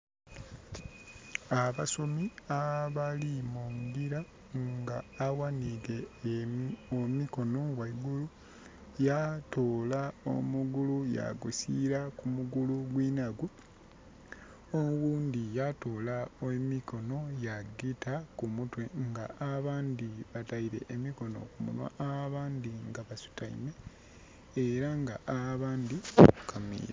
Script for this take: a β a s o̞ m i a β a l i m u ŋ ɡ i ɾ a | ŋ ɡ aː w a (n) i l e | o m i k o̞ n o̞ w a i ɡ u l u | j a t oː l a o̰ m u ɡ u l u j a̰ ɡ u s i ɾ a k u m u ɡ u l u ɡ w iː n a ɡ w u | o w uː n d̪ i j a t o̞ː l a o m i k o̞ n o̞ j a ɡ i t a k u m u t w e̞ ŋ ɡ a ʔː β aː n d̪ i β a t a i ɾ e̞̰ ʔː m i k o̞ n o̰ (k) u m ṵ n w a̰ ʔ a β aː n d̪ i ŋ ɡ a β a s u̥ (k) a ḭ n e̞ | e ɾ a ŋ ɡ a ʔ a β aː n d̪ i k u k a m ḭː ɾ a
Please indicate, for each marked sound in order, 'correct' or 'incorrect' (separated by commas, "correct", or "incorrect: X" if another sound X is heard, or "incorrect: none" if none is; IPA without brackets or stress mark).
correct, correct, incorrect: t